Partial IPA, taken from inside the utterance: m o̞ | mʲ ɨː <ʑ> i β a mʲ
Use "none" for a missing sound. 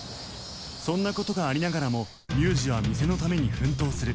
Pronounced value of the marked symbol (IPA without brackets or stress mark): ʑ